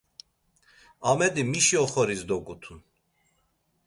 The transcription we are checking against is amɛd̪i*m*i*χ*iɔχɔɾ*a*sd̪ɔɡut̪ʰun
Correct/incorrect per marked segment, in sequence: correct, incorrect: ʃ, incorrect: i

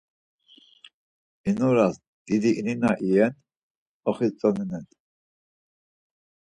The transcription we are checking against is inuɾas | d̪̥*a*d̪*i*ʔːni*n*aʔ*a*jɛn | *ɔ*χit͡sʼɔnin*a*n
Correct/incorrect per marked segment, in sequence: incorrect: i, correct, correct, incorrect: i, correct, incorrect: ɛ

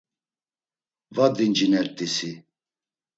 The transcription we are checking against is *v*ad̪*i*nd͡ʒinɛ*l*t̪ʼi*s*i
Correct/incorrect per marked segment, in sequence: correct, correct, incorrect: ɾ, correct

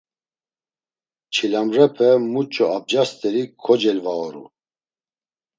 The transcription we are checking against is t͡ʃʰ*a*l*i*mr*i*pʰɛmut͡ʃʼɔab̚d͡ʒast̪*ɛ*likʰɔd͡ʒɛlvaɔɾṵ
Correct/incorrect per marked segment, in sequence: incorrect: i, incorrect: a, incorrect: ɛ, correct

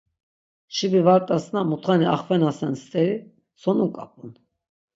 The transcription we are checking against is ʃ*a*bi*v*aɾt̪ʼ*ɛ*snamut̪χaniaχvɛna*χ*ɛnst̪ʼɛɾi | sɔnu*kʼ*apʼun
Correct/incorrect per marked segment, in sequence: incorrect: i, correct, incorrect: a, incorrect: s, correct

